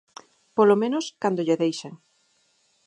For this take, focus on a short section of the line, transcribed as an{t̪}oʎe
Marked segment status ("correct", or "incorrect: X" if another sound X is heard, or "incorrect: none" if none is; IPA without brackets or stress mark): incorrect: d̪